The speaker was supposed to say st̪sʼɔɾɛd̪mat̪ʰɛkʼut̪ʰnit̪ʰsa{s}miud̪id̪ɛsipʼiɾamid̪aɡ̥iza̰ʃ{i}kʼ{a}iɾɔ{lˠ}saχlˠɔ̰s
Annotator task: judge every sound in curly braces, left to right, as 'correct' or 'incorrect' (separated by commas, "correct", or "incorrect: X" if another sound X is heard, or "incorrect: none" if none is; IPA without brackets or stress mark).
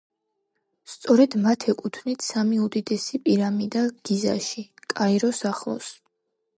incorrect: none, correct, correct, incorrect: none